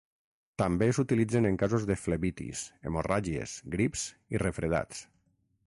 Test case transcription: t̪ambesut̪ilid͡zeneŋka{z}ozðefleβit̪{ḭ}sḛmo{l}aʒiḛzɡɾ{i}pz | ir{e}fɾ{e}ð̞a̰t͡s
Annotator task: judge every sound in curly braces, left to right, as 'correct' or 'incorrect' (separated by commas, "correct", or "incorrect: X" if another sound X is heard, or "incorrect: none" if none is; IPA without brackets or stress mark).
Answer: correct, correct, incorrect: r, correct, correct, correct